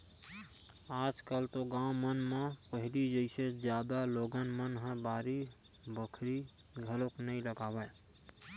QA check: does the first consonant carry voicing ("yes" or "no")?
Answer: yes